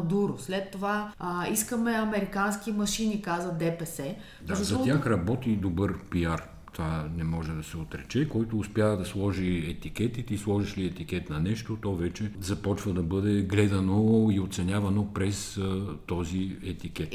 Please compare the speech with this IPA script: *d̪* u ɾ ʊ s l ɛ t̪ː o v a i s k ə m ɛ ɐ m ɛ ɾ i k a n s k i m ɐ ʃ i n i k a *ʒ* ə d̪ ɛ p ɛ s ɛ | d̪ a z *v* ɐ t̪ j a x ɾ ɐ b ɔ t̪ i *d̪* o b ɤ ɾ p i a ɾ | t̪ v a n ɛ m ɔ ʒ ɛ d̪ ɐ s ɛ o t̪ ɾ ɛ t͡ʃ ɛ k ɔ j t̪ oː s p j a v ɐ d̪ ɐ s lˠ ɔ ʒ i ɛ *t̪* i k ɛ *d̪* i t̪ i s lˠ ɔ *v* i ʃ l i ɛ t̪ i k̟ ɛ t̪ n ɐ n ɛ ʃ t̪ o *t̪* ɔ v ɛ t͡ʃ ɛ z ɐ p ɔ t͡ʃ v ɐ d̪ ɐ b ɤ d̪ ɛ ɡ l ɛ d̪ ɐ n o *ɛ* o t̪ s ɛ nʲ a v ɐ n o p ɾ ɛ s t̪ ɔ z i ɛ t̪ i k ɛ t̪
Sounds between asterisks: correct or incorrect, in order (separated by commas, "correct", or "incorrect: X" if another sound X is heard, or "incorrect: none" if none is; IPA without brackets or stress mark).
correct, incorrect: z, incorrect: z, correct, correct, incorrect: t̪, incorrect: ʒ, correct, incorrect: i